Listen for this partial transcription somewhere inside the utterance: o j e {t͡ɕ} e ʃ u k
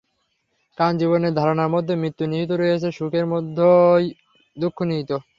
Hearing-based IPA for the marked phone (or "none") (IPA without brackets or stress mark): t͡ɕʰ